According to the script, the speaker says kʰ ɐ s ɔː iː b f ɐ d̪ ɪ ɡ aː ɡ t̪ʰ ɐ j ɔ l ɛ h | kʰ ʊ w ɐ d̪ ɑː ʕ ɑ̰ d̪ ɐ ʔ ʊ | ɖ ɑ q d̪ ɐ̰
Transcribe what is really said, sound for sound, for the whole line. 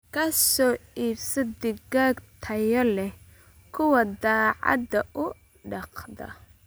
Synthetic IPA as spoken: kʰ ɐ s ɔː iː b s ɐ d̪ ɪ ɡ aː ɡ t̪ʰ ɐ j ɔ l ɛ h | kʰ ʊ w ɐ d̪ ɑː ʕ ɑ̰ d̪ ɐ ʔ ʊ | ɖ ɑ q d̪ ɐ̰